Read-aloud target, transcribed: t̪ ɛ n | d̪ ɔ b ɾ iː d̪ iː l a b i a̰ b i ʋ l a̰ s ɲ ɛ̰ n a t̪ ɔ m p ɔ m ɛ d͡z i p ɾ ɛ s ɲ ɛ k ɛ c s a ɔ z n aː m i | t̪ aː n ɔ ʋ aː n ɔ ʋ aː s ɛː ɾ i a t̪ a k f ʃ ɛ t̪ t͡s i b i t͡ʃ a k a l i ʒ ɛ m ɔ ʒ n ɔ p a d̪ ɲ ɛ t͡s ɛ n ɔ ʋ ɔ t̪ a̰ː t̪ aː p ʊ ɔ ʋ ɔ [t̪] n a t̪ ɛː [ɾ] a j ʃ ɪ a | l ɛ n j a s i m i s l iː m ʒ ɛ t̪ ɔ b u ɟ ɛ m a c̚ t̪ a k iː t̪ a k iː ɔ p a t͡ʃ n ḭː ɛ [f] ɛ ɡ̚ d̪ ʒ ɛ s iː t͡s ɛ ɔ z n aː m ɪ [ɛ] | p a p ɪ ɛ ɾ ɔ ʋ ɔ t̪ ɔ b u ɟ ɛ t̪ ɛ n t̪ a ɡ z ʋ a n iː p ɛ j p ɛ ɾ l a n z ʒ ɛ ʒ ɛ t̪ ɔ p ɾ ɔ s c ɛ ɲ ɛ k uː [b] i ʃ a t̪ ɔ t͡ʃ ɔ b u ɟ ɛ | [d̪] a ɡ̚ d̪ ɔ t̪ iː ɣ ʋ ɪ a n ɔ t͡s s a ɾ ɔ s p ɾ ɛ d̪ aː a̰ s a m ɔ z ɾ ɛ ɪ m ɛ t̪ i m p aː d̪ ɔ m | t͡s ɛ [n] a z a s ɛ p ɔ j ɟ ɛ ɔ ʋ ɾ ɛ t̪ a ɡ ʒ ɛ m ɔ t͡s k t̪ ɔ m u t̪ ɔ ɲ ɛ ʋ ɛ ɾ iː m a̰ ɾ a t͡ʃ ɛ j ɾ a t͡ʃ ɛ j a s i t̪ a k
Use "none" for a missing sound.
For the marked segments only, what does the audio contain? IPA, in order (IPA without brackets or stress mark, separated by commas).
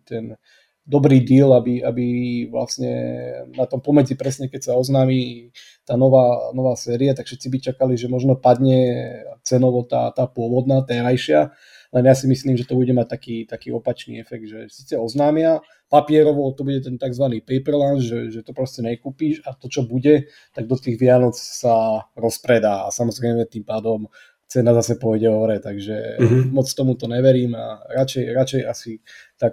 d̪, ɾ, f, a, p, t̪, n